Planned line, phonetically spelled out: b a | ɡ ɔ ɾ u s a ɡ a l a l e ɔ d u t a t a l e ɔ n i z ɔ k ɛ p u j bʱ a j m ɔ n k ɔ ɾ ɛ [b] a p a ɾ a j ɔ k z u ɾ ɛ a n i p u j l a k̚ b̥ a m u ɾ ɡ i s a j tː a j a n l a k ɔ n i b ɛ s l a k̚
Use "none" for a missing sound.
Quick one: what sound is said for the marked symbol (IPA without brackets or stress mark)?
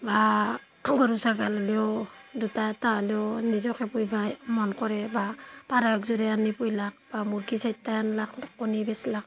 b